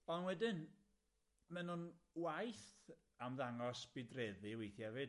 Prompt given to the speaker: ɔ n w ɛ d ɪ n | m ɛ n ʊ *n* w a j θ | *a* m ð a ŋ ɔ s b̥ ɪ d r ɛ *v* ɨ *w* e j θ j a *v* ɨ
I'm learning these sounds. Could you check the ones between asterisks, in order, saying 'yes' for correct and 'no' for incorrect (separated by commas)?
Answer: yes, yes, no, yes, yes